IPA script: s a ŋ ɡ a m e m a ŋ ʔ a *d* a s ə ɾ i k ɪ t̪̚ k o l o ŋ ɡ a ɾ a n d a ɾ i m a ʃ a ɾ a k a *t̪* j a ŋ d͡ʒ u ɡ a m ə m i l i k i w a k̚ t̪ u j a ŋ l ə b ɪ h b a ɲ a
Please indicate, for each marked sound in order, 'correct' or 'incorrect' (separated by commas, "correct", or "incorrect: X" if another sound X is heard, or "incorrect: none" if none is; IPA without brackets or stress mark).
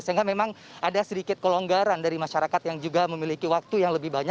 correct, correct